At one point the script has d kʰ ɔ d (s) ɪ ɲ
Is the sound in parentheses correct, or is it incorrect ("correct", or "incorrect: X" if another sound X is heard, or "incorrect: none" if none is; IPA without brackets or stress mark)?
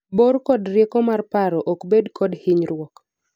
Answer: incorrect: h